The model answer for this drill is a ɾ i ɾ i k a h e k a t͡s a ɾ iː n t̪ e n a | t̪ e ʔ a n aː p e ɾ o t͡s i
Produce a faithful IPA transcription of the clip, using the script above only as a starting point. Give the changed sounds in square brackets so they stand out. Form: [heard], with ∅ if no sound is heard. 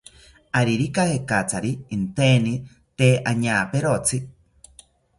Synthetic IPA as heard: a ɾ i ɾ i k a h e k a t͡s a ɾ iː n t̪ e n [i] | t̪ e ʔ a [ɲ] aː p e ɾ o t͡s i